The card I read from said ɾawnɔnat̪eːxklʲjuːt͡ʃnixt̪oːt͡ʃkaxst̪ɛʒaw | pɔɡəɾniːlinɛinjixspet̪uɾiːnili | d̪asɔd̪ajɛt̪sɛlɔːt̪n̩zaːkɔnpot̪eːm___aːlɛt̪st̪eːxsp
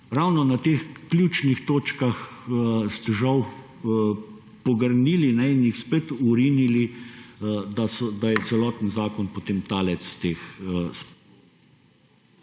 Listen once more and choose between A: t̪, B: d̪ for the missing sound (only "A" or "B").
A